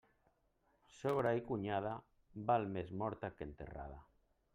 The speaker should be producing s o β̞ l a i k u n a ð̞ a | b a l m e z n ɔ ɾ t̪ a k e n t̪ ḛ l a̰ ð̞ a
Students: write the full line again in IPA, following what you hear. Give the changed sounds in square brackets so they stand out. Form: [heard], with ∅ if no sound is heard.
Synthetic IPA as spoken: s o β̞ [ɾ] a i k u [ɲ] a ð̞ a | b a l m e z [m] ɔ ɾ t̪ a k e n t̪ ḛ [r] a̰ ð̞ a